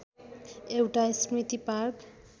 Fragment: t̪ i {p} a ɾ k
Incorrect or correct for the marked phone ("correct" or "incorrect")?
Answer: correct